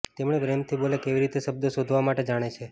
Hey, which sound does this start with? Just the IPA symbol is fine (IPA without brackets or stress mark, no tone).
t̪